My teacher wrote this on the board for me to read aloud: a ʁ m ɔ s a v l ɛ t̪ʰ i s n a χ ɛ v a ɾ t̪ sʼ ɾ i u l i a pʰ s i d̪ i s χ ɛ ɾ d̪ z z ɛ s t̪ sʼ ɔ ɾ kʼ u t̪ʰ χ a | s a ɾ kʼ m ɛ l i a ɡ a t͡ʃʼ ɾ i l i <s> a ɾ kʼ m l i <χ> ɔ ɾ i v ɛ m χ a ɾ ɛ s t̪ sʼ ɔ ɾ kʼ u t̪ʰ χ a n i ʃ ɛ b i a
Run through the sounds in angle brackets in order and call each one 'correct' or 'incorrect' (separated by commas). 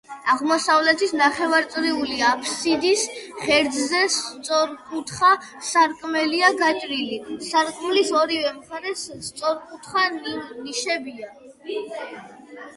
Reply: correct, incorrect